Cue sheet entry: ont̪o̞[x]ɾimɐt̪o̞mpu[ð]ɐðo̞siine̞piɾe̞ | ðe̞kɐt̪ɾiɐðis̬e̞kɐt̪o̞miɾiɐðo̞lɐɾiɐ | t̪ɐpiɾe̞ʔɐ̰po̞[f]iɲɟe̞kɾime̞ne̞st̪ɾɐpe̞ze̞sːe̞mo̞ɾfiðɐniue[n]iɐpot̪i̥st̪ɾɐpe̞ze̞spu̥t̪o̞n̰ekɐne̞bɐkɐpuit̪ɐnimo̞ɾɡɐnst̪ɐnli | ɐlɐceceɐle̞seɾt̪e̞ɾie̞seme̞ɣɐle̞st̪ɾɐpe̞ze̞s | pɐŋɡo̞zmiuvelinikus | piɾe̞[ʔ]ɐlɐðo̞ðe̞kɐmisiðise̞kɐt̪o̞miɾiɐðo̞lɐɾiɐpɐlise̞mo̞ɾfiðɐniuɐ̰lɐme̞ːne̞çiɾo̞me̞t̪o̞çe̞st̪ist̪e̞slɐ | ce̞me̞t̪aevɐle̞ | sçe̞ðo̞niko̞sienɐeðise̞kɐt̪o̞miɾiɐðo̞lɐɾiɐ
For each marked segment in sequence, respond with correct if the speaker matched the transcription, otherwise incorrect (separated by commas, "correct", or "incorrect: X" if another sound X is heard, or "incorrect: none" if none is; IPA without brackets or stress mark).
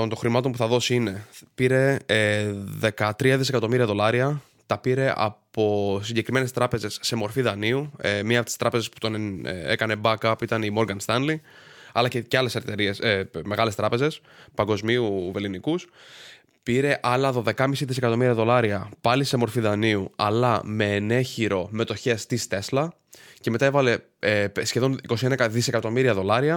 correct, incorrect: θ, incorrect: s, incorrect: m, correct